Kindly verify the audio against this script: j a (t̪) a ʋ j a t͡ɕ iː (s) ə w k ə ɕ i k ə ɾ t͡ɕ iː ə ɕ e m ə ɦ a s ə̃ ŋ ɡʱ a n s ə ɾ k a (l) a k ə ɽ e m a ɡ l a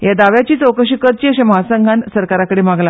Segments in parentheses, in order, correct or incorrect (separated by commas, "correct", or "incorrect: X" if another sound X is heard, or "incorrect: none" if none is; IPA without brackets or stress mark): incorrect: d̪, incorrect: t͡s, incorrect: ɾ